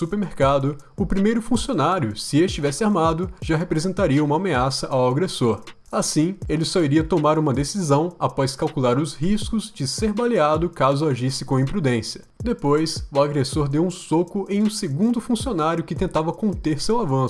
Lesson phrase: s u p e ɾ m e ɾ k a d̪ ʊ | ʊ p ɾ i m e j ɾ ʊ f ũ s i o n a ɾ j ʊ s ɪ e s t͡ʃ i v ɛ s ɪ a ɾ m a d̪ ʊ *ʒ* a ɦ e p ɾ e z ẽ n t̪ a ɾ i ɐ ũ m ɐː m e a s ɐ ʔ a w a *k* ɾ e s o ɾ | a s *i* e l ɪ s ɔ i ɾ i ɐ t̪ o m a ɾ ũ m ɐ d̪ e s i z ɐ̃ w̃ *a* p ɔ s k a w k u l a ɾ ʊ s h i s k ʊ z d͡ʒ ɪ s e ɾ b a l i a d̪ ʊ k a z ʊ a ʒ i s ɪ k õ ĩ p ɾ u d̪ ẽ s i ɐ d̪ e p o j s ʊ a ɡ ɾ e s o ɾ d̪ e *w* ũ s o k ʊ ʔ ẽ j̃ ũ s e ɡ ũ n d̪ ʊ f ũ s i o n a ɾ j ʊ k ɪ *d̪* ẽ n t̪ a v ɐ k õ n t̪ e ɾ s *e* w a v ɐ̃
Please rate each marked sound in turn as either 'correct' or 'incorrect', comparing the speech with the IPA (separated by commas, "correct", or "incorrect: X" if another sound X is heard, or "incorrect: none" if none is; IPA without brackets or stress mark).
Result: correct, incorrect: ɡ, incorrect: ĩ, correct, correct, incorrect: t̪, correct